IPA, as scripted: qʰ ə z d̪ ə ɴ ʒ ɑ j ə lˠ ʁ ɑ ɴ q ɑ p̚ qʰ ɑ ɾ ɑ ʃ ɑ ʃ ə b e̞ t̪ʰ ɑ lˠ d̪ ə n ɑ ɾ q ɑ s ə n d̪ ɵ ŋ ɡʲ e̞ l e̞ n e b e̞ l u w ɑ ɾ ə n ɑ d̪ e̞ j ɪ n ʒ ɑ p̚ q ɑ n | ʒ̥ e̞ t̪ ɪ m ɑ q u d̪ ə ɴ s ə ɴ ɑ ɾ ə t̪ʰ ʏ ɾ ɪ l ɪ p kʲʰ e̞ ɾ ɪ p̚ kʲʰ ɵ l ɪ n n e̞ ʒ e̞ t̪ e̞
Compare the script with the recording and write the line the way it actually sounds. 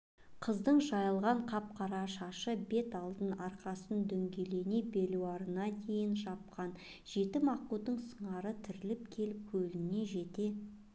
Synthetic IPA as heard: qʰ ə z d̪ ə ɴ ʒ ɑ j ə lˠ ʁ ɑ ɴ qʰ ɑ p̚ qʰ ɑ ɾ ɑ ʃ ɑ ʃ ə b e̞ t̪ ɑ lˠ d̪ ə n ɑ ɾ q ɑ s ə n d̪ ɵ ŋ ɡʲ e̞ l e̞ n e b e̞ l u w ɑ ɾ ə n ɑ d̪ e̞ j ɪ n ʒ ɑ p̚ q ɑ n | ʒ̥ e̞ t̪ ɪ m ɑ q u d̪ ə ɴ s ə ɴ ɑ ɾ ə t̪ʰ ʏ ɾ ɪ l ɪ p kʲʰ e̞ l ɪ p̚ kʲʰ ɵ l ɪ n n e̞ ʒ e̞ t̪ e̞